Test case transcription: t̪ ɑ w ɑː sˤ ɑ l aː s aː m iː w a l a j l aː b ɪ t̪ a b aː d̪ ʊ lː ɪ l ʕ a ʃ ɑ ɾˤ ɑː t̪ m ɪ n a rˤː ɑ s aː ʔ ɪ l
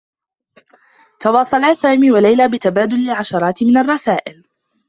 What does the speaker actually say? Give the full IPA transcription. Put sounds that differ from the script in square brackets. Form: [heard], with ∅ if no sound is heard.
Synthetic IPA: t̪ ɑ w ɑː sˤ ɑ l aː s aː m iː w a l a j l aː b ɪ t̪ a b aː d̪ ʊ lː ɪ l ʕ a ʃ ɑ ɾˤ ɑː t̪ m ɪ n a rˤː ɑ s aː ʔ ɪ l